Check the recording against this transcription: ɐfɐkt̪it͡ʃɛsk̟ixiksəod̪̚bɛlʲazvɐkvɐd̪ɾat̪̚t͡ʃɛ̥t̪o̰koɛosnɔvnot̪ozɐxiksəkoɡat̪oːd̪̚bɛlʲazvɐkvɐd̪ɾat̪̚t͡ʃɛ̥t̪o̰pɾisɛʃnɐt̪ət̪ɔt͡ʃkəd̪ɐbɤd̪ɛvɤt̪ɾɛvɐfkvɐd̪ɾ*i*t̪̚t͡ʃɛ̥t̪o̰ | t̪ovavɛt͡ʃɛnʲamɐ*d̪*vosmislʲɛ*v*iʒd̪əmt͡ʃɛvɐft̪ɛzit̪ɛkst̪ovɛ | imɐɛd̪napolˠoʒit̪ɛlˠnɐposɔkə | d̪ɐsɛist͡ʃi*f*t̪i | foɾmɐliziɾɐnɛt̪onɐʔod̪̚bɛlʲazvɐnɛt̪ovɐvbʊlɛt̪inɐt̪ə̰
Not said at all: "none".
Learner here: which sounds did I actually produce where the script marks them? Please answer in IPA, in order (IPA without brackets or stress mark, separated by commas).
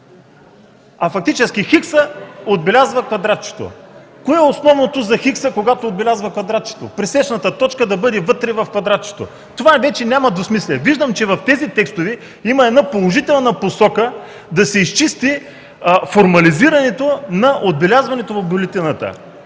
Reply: a, d̪, v, s